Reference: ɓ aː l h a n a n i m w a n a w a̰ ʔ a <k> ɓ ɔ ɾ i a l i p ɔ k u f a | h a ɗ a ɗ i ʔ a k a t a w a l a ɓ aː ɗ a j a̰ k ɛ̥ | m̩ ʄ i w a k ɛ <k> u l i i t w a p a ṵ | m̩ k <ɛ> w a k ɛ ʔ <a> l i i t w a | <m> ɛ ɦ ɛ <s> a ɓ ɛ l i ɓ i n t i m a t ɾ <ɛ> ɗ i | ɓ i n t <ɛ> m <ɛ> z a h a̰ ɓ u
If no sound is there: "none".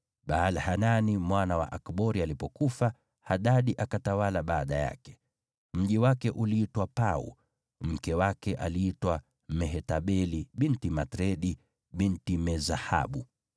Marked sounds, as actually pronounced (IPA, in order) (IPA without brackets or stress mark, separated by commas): k, ʔ, ɛ, a, m, t, ɛ, i, ɛ